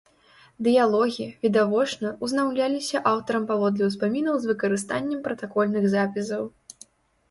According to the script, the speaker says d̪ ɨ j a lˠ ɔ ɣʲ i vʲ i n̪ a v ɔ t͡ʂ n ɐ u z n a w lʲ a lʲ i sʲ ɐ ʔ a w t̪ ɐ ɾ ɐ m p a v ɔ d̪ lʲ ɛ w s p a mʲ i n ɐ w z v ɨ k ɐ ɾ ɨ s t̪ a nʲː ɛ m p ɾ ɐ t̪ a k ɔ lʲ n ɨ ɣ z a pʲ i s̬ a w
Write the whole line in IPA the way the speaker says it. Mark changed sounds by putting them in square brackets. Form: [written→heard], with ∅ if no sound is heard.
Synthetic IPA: d̪ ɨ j a lˠ ɔ ɣʲ i vʲ i [n̪→d̪] a v ɔ t͡ʂ n ɐ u z n a w lʲ a lʲ i sʲ ɐ ʔ a w t̪ ɐ ɾ ɐ m p a v ɔ d̪ lʲ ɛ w s p a mʲ i n ɐ w z v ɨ k ɐ ɾ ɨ s t̪ a nʲː ɛ m p ɾ ɐ t̪ a k ɔ lʲ n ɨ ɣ z a pʲ i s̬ [a→ɐ] w